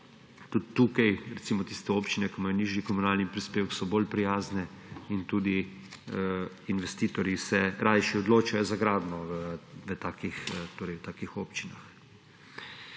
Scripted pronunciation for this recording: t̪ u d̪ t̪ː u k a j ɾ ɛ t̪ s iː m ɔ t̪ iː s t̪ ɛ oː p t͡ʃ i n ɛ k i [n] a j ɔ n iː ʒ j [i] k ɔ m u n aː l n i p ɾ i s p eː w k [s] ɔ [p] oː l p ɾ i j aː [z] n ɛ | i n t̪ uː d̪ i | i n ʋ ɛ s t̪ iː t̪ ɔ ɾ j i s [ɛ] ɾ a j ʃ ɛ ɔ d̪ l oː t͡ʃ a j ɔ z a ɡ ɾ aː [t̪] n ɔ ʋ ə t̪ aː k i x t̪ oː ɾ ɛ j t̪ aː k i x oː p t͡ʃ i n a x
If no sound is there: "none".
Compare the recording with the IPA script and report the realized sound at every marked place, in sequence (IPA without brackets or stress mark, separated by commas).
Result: m, i, s, b, z, ɛ, d̪